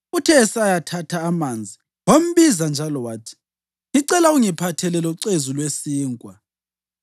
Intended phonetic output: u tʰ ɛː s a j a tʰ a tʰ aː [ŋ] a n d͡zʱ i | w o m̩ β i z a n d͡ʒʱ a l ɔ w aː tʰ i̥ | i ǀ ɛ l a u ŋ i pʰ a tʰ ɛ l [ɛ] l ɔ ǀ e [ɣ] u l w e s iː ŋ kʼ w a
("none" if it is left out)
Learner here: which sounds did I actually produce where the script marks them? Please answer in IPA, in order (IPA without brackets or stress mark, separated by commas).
m, ɛ, z